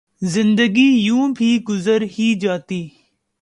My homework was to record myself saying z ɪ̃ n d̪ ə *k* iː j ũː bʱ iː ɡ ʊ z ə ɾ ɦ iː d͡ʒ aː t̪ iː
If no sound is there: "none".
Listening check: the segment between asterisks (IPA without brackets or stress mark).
ɡ